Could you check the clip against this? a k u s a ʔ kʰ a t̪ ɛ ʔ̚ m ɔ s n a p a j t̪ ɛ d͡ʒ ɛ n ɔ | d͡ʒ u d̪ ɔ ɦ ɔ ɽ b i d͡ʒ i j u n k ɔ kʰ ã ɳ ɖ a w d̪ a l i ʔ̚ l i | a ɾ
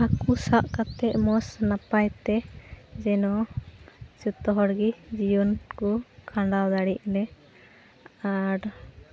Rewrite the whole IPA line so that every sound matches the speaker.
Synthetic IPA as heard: a k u s a ʔ k a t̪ ɛ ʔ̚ m ɔ s n a p a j t̪ ɛ d͡ʒ ɛ n ɔ | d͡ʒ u t̪ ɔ ɦ ɔ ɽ ɡ i d͡ʒ i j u n k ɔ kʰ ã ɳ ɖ a w d̪ a ɽ i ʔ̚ l ɛ | a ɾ